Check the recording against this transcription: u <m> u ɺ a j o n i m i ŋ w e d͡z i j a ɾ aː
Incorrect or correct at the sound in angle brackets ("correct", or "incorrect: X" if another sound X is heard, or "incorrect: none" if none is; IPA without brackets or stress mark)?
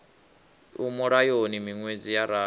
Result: correct